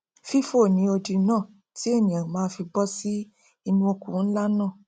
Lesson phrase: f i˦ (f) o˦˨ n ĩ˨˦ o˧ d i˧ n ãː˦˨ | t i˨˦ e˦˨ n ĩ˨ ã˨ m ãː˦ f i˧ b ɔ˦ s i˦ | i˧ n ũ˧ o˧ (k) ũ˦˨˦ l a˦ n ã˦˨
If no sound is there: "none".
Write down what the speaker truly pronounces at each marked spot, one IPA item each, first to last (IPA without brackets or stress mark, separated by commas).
f, k